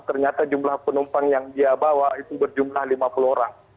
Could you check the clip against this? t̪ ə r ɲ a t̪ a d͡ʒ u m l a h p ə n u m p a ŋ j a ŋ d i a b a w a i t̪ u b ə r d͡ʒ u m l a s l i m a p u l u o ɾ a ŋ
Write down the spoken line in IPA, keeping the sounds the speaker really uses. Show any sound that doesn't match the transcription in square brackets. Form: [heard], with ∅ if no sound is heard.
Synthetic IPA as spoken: t̪ ə r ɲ a t̪ a d͡ʒ u m l a h p ə n u m p a ŋ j a ŋ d i a b a w a i t̪ u b ə r d͡ʒ u m l a [h] l i m a p u l u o ɾ a ŋ